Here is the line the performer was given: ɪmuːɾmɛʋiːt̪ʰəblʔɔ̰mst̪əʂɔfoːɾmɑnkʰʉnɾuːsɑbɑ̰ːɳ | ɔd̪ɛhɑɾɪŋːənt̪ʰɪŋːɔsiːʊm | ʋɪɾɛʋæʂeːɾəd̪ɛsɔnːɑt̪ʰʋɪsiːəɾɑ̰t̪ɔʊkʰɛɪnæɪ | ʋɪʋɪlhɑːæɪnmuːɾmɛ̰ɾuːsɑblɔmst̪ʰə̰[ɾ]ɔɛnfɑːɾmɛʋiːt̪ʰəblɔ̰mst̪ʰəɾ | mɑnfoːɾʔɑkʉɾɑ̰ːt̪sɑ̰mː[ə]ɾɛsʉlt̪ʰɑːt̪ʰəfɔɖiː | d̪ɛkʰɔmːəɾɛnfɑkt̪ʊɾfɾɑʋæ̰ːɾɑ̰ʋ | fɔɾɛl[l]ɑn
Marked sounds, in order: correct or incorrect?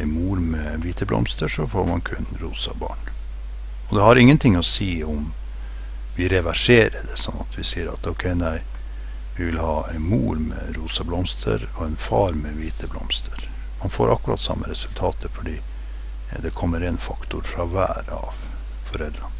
correct, correct, incorrect: ɾ

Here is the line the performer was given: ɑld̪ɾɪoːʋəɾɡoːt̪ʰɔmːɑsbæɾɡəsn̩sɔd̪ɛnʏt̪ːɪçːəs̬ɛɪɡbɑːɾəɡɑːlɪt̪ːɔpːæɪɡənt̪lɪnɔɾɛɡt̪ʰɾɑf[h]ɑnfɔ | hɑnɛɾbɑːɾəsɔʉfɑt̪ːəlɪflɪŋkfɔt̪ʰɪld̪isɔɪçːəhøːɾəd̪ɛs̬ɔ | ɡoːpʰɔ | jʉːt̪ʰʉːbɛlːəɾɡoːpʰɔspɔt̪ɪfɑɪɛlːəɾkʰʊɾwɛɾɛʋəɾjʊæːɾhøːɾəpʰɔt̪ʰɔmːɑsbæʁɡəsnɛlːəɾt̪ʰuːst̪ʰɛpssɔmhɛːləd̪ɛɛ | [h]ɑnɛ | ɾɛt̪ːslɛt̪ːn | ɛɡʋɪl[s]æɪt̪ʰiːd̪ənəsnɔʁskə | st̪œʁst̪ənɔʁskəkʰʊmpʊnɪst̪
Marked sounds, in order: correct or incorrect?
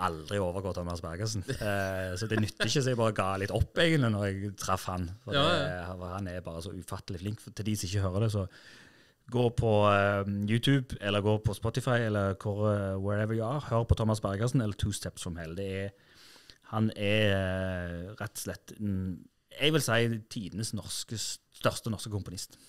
correct, correct, correct

